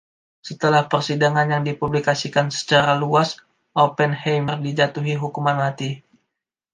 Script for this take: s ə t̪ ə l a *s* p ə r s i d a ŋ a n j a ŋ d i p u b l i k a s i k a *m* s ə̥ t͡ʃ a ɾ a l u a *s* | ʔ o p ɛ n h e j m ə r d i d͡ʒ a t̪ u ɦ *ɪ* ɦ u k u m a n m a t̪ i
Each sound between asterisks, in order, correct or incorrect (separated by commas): incorrect, incorrect, correct, incorrect